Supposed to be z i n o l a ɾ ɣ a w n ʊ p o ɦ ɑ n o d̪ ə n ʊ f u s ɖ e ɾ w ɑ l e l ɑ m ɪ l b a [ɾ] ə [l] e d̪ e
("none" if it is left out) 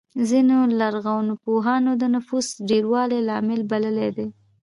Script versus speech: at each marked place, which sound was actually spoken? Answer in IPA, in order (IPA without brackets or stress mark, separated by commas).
l, l